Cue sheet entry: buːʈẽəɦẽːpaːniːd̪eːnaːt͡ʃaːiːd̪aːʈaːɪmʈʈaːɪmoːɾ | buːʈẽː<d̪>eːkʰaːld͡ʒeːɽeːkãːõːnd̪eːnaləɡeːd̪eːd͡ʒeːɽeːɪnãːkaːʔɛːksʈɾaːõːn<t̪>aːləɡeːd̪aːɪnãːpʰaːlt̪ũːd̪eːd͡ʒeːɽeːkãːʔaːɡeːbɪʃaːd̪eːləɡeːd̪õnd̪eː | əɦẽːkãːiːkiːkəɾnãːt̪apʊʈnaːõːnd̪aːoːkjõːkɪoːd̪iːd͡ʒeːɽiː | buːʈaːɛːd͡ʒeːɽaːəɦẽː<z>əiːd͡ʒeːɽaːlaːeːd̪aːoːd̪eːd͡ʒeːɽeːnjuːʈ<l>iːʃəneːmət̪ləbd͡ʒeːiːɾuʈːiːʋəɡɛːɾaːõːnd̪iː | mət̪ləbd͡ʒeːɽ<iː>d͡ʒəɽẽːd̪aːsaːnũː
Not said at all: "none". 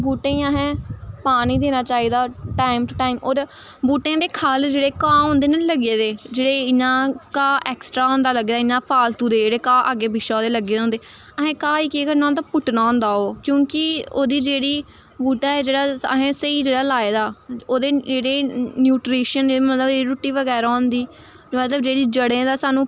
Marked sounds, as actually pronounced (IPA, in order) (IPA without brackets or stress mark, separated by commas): d̪, d̪, s, ɾ, iː